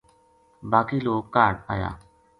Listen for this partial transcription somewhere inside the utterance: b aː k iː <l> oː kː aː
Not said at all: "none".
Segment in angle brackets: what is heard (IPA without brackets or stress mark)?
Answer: l